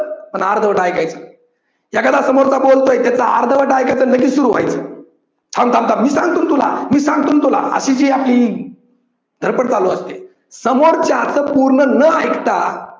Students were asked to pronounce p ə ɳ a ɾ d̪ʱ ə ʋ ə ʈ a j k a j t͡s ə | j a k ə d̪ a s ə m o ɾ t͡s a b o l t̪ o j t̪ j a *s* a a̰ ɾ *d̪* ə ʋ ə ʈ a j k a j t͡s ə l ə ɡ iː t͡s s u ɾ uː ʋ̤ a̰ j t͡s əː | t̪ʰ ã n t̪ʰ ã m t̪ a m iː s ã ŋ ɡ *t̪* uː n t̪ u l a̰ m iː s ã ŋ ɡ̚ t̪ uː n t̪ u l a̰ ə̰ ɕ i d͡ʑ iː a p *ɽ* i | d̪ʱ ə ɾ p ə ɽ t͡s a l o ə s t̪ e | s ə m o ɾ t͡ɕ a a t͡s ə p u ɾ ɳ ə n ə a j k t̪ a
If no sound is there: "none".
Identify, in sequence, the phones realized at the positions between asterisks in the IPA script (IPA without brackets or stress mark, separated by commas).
t͡s, d̪, t̪, l